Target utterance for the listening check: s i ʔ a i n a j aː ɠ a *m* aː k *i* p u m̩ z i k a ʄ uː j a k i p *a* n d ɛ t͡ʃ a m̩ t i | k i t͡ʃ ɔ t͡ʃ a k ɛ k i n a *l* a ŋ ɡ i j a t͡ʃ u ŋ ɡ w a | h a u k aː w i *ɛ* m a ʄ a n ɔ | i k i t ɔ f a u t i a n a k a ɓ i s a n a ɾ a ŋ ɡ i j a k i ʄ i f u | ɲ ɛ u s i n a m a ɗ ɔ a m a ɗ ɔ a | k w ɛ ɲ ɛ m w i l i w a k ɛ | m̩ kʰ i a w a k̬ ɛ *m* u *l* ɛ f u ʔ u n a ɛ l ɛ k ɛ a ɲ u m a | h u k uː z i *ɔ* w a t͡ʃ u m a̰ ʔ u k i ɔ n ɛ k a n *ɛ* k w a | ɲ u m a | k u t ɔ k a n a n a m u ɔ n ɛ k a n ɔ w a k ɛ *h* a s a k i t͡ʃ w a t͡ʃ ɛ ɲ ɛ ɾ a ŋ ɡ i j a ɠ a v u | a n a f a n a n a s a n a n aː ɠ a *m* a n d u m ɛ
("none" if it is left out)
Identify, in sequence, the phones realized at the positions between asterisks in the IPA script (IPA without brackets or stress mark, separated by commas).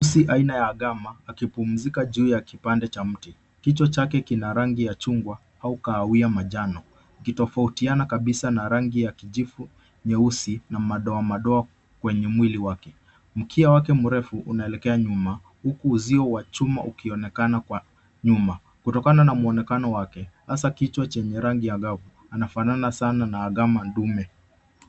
m, i, a, ɾ, a, m, ɾ, ɔ, a, h, m